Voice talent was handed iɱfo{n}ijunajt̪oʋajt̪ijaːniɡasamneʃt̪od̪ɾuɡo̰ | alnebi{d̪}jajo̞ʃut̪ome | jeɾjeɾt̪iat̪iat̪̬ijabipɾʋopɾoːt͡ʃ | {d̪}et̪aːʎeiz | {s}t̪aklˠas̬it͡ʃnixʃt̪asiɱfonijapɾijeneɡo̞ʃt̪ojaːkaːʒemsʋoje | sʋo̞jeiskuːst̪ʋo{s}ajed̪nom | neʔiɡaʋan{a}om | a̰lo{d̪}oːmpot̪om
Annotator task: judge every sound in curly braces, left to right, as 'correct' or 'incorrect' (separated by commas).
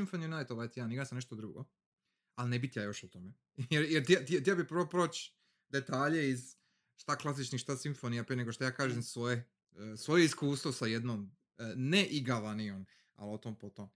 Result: correct, incorrect, correct, incorrect, correct, incorrect, incorrect